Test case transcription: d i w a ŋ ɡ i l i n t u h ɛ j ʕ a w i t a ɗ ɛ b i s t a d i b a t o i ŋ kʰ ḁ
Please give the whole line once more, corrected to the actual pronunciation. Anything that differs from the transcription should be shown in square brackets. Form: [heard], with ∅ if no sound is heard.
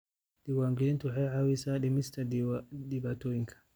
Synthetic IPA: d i w a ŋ ɡ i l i n t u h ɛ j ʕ a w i [s] a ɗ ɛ [m] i s t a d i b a t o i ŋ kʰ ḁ

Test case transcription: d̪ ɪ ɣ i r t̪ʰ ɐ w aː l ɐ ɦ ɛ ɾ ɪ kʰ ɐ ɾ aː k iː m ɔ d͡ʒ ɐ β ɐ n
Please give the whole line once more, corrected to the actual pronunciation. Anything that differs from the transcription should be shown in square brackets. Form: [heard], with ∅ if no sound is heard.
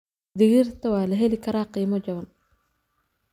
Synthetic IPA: d̪ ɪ ɣ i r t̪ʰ ɐ w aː l ɐ ɦ ɛ [l] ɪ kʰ ɐ ɾ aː [q] iː m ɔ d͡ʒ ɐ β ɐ n

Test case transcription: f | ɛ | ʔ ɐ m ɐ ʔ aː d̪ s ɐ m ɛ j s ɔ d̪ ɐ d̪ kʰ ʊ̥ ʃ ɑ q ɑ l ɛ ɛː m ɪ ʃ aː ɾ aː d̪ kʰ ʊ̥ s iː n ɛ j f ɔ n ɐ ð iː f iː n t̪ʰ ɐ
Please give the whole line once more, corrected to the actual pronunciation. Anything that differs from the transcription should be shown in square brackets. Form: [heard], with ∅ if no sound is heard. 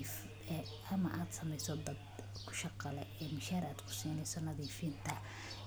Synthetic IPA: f | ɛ | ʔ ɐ m ɐ ʔ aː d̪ s ɐ m ɛ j s ɔ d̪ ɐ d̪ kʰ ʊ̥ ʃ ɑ q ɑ l ɛ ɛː m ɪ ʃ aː ɾ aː d̪ kʰ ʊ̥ s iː n ɛ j [s] ɔ n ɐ ð iː f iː n t̪ʰ ɐ

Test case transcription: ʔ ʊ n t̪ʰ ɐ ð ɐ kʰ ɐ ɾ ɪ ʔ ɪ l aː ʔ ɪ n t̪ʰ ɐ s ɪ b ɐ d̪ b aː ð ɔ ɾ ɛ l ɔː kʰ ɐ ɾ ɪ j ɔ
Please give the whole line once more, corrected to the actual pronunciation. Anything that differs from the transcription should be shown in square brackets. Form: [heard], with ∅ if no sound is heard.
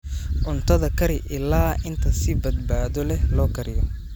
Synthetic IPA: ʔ ʊ n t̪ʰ ɐ ð ɐ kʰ ɐ ɾ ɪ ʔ ɪ l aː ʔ ɪ n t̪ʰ ɐ s ɪ b ɐ d̪ b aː ð ɔ [l] ɛ l ɔː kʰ ɐ ɾ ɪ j ɔ

